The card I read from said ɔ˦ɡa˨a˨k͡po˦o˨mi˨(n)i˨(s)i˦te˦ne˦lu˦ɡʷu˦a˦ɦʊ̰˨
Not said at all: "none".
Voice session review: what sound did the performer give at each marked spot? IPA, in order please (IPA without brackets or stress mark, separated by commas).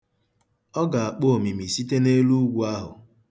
m, s